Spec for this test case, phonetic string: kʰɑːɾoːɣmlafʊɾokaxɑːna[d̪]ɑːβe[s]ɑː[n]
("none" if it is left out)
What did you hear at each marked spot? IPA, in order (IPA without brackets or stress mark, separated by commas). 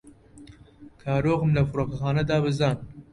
d̪, z, n